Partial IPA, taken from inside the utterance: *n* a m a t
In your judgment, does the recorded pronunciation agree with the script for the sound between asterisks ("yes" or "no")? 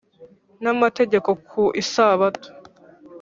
yes